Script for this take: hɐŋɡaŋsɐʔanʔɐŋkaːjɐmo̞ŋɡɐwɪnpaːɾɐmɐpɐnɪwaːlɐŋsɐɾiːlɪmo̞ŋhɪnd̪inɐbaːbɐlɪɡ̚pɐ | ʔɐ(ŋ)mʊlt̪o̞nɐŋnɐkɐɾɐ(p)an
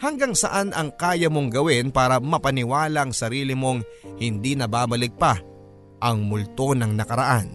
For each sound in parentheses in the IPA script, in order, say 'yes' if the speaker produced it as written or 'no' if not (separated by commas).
yes, no